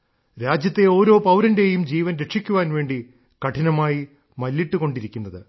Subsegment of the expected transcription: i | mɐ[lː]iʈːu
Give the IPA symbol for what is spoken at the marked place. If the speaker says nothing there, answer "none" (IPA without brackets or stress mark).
lː